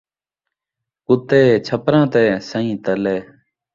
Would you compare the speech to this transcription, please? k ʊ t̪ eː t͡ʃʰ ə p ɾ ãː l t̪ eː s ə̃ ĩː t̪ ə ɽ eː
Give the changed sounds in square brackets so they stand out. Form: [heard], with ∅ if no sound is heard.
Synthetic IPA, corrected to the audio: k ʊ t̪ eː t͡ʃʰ ə p ɾ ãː [∅] t̪ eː s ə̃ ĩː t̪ ə [l] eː